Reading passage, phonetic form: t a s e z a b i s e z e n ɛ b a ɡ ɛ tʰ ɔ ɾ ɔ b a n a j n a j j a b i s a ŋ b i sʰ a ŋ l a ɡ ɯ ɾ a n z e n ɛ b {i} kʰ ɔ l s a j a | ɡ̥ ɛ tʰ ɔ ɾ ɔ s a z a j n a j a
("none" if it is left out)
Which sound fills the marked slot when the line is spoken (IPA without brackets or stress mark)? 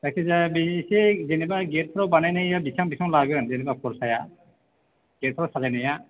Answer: a